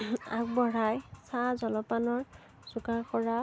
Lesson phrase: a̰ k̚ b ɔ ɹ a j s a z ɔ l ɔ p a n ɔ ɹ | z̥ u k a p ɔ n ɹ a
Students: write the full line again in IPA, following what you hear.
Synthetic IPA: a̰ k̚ b ɔ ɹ a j s a z ɔ l ɔ p a n ɔ ɹ | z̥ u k a k ɔ ɹ a